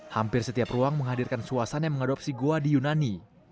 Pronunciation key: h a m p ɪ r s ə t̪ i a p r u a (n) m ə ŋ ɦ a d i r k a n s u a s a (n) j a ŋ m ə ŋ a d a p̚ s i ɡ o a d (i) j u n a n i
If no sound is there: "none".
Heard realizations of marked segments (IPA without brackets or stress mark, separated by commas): ŋ, n, i